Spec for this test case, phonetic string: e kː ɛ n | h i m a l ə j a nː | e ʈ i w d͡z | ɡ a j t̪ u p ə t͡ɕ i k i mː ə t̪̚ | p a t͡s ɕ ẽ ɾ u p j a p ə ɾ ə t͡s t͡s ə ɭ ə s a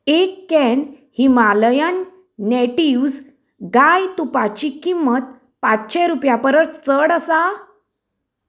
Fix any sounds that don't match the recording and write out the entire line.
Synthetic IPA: e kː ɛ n | h i m a l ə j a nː | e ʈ i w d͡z | ɡ a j t̪ u p a t͡ɕ i k i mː ə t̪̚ | p a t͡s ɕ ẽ ɾ u p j a p ə ɾ ə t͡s t͡s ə ɽ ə s a

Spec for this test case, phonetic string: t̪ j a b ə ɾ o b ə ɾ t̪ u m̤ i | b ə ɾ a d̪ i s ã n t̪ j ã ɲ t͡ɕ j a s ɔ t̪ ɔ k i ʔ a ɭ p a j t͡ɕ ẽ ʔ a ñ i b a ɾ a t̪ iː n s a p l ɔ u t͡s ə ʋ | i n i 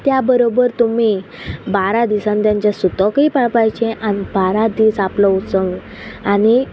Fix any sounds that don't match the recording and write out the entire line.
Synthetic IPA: t̪ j a b ə ɾ o b ə ɾ t̪ u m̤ i | b a ɾ a d̪ i s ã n t̪ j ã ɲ t͡ɕ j a s u t̪ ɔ k i p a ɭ p a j t͡ɕ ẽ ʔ a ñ i b a ɾ a d̪ iː s a p l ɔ u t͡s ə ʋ | a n i

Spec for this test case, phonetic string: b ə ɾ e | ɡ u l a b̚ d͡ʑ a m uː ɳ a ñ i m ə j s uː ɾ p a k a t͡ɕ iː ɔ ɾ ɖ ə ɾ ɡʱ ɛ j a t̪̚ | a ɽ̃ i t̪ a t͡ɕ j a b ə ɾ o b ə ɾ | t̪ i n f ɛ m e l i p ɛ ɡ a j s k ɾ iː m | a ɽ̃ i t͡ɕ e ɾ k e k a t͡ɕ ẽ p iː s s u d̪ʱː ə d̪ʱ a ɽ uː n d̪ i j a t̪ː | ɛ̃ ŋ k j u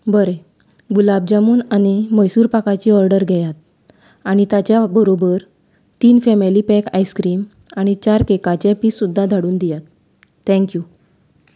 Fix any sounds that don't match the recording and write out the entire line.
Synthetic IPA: b ə ɾ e | ɡ u l a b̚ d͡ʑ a m uː n a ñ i m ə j s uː ɾ p a k a t͡ɕ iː ɔ ɾ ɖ ə ɾ ɡʱ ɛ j a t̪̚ | a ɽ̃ i t̪ a t͡ɕ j a b ə ɾ o b ə ɾ | t̪ iː n f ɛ m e l i p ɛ k a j s k ɾ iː m | a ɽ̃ i t͡ɕ a ɾ k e k a t͡ɕ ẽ p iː s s u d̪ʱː a d̪ʱ a ɽ uː n d̪ i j a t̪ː | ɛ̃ ŋ k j u

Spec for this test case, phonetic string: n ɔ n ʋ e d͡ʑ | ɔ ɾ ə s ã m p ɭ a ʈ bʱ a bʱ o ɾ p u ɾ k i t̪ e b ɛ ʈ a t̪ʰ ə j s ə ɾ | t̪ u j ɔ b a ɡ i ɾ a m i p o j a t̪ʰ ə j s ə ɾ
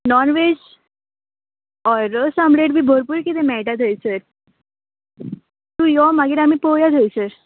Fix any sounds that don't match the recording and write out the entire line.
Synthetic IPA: n ɔ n ʋ e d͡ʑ | ɔ ɾ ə s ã m b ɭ e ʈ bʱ i bʱ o ɾ p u ɾ k i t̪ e m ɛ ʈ a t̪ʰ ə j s ə ɾ | t̪ u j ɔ m a ɡ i ɾ a m i p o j a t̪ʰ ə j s ə ɾ

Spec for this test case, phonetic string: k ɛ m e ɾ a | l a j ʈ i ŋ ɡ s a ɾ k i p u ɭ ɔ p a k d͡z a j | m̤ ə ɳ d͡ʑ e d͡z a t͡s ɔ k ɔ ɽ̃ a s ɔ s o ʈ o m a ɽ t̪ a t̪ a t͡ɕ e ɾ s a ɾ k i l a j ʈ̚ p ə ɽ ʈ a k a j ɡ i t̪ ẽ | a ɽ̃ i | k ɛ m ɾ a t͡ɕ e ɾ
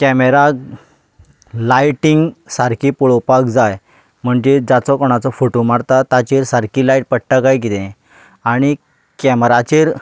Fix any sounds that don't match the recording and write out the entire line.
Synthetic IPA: k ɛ m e ɾ a | l a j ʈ i ŋ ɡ s a ɾ k i p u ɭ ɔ p a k d͡z a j | m̤ ə ɳ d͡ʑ e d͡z a t͡s ɔ k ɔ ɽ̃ a t͡s ɔ f o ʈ o m a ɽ t̪ a t̪ a t͡ɕ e ɾ s a ɾ k i l a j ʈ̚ p ə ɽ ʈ a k a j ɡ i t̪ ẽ | a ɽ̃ i | k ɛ m ɾ a t͡ɕ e ɾ

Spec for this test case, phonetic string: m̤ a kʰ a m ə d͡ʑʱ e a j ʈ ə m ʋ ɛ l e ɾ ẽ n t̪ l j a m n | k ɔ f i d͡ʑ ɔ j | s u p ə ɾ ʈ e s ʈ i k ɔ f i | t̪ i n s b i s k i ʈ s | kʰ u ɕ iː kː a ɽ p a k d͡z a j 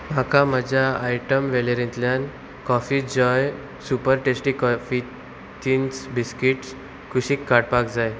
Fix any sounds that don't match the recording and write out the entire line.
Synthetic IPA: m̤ a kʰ a m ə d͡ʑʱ a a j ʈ ə m ʋ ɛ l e ɾ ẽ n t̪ l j a n | k ɔ f i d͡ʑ ɔ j | s u p ə ɾ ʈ e s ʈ i k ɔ f i | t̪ i n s b i s k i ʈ s | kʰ u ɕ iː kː a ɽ p a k d͡z a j

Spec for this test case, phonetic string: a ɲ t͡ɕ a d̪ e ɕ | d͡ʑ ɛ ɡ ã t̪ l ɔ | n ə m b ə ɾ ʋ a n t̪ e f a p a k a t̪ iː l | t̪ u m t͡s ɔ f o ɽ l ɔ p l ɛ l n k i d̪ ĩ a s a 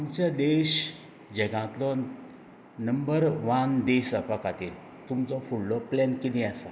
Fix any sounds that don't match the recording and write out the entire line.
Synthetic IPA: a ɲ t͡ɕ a d̪ e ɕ | d͡ʑ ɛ ɡ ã t̪ l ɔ | n ə m b ə ɾ ʋ a n d̪ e s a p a k a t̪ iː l | t̪ u m t͡s ɔ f u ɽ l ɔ p l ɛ n k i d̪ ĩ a s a

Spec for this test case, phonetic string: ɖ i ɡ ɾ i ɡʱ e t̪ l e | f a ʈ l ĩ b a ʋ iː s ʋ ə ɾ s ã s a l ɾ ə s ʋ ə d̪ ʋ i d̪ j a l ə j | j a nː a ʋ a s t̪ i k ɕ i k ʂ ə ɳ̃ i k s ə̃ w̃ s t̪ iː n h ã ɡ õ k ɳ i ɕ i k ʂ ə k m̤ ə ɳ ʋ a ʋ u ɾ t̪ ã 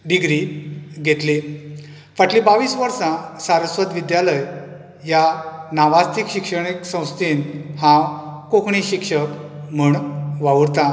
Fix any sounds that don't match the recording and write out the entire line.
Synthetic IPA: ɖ i ɡ ɾ i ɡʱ e t̪ l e | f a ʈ l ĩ b a ʋ iː s ʋ ə ɾ s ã s a ɾ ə s ʋ ə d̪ ʋ i d̪ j a l ə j | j a n a ʋ a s t̪ i k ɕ i k ʂ ə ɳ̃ i k s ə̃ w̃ s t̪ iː n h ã k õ k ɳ i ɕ i k ʂ ə k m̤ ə ɳ ʋ a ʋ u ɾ t̪ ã

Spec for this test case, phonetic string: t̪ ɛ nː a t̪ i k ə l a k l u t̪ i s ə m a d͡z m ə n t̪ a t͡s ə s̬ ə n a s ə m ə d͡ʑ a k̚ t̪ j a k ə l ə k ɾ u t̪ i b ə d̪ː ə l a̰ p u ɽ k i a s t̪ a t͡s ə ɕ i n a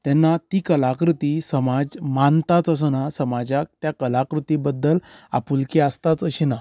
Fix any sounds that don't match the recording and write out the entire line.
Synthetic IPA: t̪ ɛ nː a t̪ i k ə l a k ɾ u t̪ i s ə m a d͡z m a n t̪ a t͡s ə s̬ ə n a s ə m a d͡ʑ a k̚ t̪ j a k ə l a k ɾ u t̪ i b ə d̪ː ə l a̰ p u l k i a s t̪ a t͡s ə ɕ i n a

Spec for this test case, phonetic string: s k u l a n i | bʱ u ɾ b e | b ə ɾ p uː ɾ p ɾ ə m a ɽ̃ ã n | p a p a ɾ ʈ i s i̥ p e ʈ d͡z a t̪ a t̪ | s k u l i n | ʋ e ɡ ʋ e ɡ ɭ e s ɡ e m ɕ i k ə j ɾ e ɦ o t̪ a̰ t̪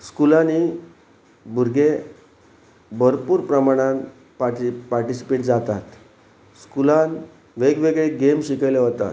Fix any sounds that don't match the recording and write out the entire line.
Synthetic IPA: s k u l a n i | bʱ u ɾ ɡ e | b ə ɾ p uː ɾ p ɾ ə m a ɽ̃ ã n | p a p a ɾ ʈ i s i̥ p e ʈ d͡z a t̪ a t̪ | s k u l a n | ʋ e ɡ ʋ e ɡ ɭ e ɡ e m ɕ i k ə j l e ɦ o t̪ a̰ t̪

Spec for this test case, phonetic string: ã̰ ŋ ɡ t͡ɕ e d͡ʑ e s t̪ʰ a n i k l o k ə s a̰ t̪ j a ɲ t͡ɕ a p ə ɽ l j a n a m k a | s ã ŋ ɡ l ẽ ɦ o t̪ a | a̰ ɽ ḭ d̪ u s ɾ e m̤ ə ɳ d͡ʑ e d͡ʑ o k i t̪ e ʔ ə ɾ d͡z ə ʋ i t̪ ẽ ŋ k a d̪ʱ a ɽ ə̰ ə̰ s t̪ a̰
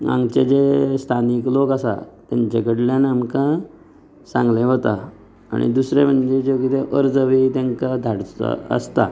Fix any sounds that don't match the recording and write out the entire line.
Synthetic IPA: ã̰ ŋ ɡ t͡ɕ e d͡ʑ e s t̪ʰ a n i k l o k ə s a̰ t̪ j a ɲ t͡ɕ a k ə ɽ l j a n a m k a | s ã ŋ ɡ l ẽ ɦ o t̪ a | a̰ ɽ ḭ d̪ u s ɾ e m̤ ə ɳ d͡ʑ e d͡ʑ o k i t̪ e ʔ ə ɾ d͡z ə ʋ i t̪ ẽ ŋ k a d̪ʱ a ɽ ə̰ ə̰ s t̪ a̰

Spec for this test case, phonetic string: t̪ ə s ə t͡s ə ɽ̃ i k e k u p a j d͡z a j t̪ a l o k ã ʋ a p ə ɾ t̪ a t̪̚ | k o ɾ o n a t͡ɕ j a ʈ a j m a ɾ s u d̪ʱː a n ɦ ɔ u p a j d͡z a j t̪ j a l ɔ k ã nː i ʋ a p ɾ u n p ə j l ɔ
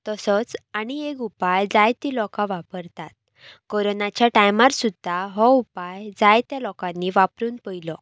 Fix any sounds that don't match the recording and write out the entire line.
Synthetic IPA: t̪ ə s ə t͡s a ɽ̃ i e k u p a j d͡z a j t̪ i l ɔ k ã ʋ a p ə ɾ t̪ a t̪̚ | k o ɾ o n a t͡ɕ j a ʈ a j m a ɾ s u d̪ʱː a ɦ ɔ u p a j d͡z a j t̪ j a l ɔ k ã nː i ʋ a p ɾ uː n p ə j l ɔ

